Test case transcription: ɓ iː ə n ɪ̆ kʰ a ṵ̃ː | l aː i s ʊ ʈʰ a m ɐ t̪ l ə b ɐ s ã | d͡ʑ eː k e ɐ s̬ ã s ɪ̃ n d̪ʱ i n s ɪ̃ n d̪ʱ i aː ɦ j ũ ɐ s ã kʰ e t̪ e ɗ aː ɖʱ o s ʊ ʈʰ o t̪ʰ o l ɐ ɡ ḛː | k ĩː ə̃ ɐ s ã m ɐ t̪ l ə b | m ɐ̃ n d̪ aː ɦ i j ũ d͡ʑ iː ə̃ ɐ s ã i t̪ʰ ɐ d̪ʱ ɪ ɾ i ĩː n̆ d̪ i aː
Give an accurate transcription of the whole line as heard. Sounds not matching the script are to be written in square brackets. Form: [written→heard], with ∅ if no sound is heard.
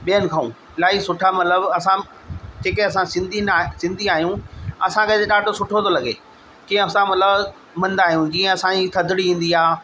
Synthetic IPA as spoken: ɓ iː ə n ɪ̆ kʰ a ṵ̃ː | l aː i s ʊ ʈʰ a m ɐ t̪ l ə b ɐ s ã | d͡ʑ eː k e ɐ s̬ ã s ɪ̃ n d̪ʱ i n s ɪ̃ n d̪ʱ i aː ɦ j ũ ɐ s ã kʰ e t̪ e ɗ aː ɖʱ o s ʊ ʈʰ o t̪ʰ o l ɐ ɡ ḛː | k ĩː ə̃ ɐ s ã m ɐ t̪ l ə b | m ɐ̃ n d̪ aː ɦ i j ũ d͡ʑ iː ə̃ ɐ s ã i t̪ʰ ɐ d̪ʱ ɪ [ɾ→ɽ] i ĩː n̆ d̪ i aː